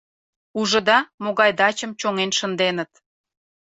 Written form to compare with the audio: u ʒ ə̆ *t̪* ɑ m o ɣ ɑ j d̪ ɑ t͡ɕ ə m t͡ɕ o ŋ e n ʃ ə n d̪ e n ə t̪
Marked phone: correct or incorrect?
incorrect: d̪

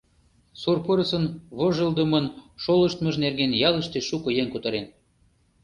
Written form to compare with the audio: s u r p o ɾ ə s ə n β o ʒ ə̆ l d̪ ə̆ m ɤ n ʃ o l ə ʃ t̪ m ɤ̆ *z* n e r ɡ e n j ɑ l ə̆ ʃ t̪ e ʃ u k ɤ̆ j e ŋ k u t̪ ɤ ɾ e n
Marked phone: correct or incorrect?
incorrect: ʒ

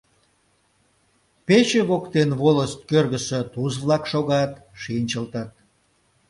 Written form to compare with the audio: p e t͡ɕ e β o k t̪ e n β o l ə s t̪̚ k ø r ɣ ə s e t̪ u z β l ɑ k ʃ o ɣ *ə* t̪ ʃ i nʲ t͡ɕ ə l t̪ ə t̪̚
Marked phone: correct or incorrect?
incorrect: ɑ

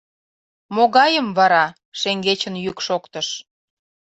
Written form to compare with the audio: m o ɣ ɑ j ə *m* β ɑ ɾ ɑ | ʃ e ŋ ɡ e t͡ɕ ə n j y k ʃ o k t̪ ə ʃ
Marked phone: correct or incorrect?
correct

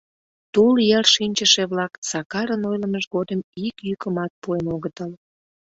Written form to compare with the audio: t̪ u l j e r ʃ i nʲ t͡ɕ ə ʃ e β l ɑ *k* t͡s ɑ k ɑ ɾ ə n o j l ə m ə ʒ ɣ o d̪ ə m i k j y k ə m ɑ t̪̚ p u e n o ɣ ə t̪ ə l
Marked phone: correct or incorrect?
correct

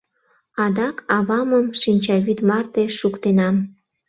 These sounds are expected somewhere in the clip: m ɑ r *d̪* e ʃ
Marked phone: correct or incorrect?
incorrect: t̪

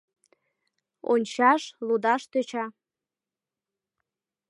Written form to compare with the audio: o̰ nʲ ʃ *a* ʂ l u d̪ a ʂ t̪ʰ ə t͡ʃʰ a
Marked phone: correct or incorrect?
correct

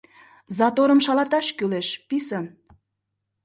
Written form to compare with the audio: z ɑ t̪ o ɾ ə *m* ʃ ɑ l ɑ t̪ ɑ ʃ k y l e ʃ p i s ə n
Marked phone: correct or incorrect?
correct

